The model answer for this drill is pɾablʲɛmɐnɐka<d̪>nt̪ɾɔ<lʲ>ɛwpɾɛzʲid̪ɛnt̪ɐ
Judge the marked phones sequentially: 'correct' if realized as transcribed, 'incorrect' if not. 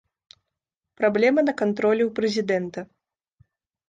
incorrect: none, correct

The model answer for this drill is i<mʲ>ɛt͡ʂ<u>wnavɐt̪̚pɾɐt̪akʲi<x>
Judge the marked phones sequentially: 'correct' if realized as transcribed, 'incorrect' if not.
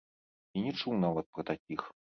incorrect: nʲ, correct, correct

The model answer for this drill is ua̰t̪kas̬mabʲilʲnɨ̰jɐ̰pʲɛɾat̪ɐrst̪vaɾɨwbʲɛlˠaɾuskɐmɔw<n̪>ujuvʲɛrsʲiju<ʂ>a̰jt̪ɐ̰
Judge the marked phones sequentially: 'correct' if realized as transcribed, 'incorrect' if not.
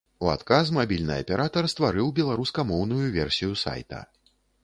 correct, incorrect: s

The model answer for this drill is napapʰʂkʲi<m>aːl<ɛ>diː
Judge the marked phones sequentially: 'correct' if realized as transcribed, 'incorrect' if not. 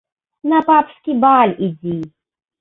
incorrect: b, incorrect: i

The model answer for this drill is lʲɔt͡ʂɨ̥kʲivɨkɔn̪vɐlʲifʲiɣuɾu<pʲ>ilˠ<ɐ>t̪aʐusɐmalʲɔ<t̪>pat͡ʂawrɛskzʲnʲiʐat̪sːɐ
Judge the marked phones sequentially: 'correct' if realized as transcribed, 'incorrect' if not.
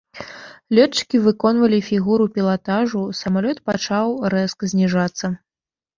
correct, incorrect: a, correct

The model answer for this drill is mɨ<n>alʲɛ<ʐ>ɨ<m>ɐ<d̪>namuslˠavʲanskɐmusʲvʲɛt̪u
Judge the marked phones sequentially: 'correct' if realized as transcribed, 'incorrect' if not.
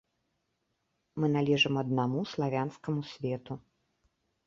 correct, correct, correct, correct

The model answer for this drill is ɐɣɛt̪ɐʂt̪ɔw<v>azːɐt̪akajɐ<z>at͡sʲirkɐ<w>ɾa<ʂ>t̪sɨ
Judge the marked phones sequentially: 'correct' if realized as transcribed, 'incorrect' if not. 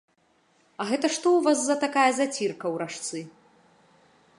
correct, correct, correct, correct

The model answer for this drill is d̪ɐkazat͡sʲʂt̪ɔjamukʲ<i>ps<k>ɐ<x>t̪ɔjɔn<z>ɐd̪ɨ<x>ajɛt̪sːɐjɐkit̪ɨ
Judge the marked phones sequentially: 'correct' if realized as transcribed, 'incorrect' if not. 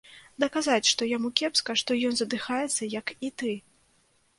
incorrect: ɛ, correct, incorrect: ʂ, correct, correct

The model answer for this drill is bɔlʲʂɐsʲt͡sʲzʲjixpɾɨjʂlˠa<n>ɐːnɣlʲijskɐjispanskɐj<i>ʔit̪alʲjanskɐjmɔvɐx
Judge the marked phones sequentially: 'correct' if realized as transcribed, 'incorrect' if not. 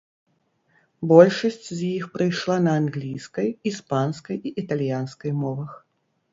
correct, correct

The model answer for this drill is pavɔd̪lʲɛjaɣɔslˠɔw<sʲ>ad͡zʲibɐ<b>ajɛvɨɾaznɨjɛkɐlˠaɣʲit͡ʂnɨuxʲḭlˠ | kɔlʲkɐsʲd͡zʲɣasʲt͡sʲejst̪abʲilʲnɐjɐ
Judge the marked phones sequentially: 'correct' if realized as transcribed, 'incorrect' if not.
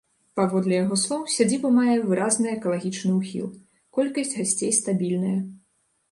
correct, incorrect: m

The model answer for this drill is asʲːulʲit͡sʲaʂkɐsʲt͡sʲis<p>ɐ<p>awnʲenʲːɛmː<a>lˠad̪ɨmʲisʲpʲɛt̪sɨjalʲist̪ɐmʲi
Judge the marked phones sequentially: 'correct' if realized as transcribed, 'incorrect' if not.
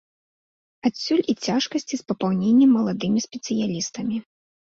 correct, correct, incorrect: ɐ

